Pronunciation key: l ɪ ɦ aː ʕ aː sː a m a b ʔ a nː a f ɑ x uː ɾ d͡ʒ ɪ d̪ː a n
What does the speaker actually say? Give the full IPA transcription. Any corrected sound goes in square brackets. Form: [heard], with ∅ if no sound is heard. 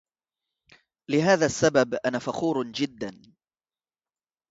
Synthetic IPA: l ɪ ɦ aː [ð] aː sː a [b] a b ʔ a [n] a f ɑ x uː ɾ d͡ʒ ɪ d̪ː a n

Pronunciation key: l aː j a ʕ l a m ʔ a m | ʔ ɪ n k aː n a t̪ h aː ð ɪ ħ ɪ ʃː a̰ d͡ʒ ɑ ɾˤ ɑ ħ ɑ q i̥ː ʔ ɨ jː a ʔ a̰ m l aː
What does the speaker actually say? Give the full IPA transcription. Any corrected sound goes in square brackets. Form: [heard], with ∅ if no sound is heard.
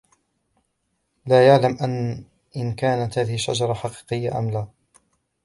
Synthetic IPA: l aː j a ʕ l a m ʔ a [n] | ʔ ɪ n k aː n a t̪ h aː ð ɪ [h] ɪ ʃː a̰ d͡ʒ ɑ ɾˤ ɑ ħ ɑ q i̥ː [q] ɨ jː a ʔ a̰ m l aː

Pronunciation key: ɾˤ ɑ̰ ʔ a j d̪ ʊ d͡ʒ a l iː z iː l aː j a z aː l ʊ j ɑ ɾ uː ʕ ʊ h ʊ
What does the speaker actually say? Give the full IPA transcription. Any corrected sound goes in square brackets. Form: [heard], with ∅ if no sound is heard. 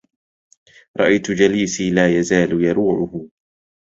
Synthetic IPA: ɾˤ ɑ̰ ʔ a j [t̪] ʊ d͡ʒ a l iː [s] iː l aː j a z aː l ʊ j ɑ ɾ uː ʕ ʊ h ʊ

